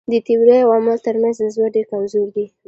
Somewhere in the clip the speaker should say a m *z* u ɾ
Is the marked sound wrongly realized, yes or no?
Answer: no